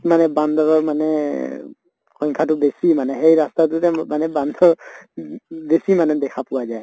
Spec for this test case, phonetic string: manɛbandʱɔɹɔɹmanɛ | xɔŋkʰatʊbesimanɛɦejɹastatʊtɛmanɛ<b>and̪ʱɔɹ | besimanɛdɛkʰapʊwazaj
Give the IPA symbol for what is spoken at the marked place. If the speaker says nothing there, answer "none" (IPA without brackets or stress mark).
b